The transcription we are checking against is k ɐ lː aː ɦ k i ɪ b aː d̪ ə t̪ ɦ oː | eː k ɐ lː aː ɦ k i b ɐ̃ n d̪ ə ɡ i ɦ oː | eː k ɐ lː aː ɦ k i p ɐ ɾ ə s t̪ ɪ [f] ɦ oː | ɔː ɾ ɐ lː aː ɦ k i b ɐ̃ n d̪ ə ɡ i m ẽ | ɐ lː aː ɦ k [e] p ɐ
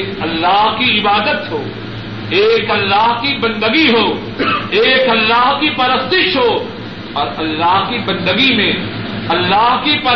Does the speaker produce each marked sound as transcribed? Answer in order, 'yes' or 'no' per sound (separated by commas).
no, no